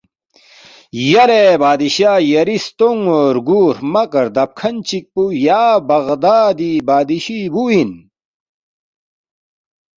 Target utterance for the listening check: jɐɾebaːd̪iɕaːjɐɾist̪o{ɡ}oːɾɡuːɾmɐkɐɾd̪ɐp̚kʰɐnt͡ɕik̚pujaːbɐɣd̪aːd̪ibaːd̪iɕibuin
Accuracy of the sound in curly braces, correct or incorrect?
incorrect